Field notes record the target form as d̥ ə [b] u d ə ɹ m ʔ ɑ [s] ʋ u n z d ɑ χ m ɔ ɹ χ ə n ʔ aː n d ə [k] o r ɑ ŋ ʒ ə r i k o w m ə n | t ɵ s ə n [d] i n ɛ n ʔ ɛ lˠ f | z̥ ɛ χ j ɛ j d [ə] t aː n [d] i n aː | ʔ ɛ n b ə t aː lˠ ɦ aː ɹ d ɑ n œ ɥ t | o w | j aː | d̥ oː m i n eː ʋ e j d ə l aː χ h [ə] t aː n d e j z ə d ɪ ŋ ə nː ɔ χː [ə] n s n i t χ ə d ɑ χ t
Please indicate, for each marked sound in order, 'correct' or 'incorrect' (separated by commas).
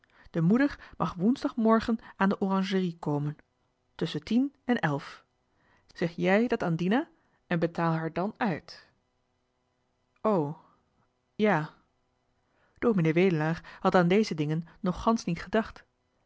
incorrect, incorrect, incorrect, incorrect, incorrect, correct, incorrect, incorrect